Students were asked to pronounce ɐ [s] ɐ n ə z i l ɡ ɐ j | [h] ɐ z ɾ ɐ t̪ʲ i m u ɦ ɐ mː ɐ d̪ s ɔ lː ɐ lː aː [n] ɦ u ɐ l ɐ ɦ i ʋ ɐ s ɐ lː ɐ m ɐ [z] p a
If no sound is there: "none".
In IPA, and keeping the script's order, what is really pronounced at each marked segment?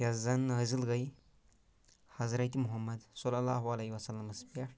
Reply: z, h, none, s

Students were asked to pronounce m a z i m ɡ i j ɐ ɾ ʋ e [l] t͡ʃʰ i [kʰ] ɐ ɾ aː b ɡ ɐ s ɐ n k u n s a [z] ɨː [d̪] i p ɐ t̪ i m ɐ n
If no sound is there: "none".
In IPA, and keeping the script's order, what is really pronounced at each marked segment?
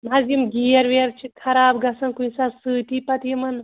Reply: ɾ, kʰ, s, t̪

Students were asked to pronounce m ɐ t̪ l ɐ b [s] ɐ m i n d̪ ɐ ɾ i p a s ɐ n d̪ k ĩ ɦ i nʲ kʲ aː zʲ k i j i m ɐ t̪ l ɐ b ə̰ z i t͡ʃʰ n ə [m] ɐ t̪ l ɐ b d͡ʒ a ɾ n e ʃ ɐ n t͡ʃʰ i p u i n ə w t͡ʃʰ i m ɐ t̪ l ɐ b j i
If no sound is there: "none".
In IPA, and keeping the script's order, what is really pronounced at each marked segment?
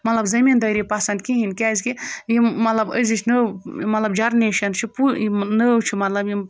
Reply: z, m

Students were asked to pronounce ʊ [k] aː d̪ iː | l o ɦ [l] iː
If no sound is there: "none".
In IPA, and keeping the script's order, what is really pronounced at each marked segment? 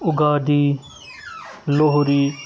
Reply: ɡ, ɾ

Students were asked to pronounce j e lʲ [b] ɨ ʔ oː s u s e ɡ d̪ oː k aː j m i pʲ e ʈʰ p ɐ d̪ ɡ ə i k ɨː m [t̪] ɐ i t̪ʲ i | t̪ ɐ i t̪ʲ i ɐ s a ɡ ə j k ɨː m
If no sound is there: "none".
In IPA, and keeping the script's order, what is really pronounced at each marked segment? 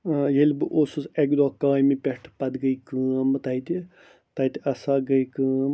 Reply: b, t̪

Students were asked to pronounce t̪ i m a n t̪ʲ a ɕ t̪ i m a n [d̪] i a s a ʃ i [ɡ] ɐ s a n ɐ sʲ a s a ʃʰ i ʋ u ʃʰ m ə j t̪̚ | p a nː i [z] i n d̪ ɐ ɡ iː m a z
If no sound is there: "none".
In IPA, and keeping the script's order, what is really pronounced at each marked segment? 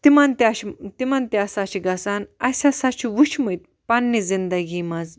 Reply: t̪, ɡ, z

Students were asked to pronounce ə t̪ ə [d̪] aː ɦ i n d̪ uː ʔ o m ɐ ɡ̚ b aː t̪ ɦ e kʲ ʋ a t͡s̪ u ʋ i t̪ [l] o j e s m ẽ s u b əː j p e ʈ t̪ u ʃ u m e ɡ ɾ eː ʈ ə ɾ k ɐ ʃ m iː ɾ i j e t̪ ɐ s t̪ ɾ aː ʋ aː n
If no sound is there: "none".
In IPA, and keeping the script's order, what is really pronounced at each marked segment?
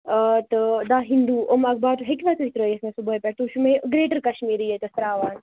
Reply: d̪, ɾ

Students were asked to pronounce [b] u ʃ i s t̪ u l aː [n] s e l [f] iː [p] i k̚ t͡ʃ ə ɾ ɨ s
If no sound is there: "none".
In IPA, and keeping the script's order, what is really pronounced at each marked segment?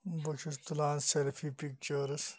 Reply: b, n, f, p

